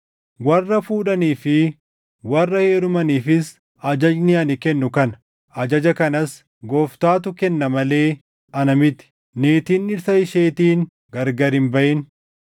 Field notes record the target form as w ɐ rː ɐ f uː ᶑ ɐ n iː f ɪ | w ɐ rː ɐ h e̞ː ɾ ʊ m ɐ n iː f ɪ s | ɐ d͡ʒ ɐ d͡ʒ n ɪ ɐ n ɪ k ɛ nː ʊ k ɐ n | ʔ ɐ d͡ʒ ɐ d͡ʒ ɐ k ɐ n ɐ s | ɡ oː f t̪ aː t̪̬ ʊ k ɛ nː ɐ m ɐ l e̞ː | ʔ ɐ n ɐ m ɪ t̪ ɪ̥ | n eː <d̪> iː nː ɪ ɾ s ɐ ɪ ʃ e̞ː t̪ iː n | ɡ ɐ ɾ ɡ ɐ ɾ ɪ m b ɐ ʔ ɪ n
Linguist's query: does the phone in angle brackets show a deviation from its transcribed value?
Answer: yes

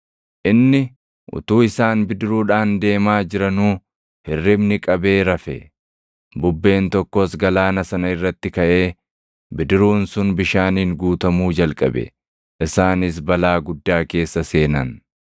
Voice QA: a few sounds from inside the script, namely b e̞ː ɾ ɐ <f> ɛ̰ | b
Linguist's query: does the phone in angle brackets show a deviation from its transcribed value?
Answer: no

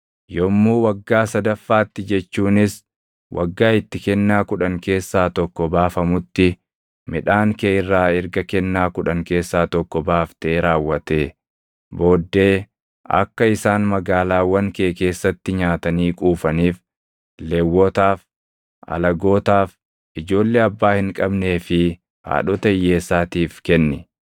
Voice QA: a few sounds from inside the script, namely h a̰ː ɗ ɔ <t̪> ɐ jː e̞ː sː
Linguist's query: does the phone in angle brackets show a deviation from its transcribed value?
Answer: no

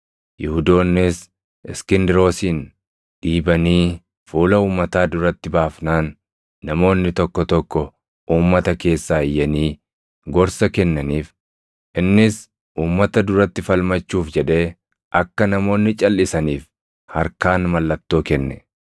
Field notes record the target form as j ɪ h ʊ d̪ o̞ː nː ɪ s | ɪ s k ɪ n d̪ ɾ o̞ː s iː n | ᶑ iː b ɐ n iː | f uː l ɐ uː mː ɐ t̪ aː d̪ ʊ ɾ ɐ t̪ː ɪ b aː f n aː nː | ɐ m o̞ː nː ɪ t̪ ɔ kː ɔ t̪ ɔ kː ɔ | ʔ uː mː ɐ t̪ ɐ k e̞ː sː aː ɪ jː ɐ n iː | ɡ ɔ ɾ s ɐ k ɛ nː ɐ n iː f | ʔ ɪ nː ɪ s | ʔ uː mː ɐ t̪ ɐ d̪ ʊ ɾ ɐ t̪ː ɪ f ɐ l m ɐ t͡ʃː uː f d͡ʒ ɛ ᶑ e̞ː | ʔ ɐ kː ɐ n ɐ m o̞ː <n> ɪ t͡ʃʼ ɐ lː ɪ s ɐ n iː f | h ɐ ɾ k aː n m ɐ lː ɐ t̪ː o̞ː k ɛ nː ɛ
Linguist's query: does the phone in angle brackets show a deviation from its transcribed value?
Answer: yes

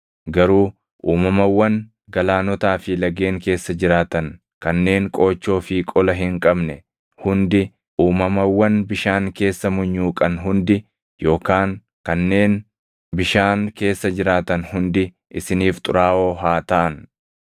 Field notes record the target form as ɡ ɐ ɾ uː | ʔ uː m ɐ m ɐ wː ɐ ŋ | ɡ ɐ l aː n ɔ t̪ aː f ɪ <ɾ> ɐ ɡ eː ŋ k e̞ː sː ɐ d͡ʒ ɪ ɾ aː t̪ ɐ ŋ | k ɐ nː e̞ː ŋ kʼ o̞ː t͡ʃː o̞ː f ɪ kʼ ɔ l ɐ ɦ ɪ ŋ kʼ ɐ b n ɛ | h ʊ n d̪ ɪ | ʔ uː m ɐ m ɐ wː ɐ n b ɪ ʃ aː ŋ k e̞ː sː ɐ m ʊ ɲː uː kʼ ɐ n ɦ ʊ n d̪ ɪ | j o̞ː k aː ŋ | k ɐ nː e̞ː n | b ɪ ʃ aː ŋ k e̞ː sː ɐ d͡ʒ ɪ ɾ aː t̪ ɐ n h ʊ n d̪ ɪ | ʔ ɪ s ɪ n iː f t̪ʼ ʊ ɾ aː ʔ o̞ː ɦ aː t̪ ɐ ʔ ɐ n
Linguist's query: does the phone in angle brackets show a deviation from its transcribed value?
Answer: yes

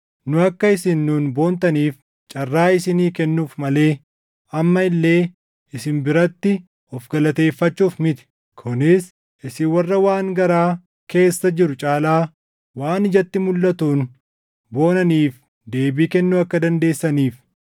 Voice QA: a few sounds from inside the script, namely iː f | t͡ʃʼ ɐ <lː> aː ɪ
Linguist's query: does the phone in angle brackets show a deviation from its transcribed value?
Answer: yes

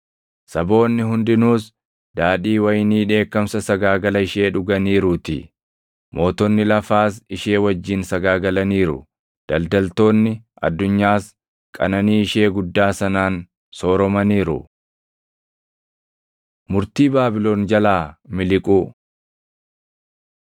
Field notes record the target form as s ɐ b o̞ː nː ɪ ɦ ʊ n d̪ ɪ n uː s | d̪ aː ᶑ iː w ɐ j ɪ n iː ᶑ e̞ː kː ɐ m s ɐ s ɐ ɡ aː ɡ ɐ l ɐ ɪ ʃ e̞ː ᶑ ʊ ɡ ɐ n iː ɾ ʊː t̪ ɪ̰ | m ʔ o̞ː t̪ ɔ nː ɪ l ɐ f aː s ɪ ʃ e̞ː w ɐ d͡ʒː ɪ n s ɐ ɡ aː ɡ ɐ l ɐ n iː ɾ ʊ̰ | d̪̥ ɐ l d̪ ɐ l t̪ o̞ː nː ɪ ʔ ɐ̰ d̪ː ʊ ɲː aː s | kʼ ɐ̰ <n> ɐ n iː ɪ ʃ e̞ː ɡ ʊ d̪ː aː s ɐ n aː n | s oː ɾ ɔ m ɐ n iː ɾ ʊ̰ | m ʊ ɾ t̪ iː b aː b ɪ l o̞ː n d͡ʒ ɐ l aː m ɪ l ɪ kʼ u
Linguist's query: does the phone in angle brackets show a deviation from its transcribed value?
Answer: no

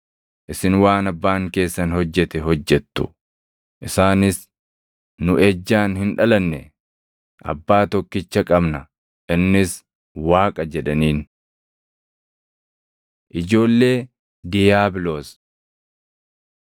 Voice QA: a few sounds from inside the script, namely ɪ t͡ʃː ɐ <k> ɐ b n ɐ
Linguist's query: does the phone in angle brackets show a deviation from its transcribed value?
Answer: yes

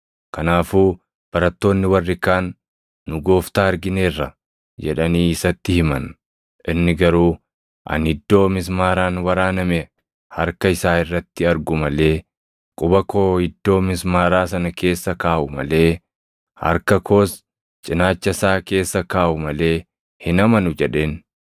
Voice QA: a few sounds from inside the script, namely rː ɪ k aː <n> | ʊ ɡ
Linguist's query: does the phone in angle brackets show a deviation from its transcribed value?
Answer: yes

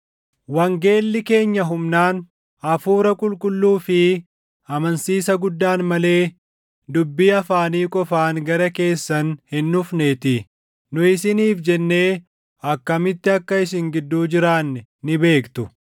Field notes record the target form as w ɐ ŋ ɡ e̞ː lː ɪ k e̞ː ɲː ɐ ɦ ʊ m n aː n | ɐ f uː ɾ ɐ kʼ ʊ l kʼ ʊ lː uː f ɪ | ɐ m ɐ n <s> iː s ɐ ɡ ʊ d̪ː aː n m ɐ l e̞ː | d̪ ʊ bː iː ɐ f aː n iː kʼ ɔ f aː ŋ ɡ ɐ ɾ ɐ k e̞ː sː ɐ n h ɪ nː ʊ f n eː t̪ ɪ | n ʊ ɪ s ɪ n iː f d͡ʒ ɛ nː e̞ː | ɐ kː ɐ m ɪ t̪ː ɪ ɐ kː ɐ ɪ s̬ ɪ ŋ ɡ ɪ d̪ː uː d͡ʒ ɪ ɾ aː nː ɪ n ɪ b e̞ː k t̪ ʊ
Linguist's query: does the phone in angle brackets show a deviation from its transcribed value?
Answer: no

